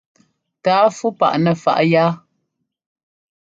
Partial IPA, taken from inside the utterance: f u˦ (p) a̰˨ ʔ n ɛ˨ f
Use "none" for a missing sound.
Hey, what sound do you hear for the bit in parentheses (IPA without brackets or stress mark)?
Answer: p